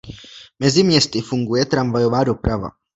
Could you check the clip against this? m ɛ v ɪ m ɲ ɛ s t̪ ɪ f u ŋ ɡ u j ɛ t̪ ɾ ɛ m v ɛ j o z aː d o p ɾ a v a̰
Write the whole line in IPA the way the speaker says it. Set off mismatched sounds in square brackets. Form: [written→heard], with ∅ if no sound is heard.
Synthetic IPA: m ɛ [v→z] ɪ m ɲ ɛ s t̪ ɪ f u ŋ ɡ u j ɛ t̪ ɾ [ɛ→a] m v [ɛ→a] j o [z→v] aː d o p ɾ a v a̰